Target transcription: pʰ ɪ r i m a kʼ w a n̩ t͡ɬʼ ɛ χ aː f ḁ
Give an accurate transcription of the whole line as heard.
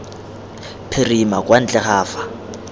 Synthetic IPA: pʰ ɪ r i m a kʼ w a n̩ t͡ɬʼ ɛ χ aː f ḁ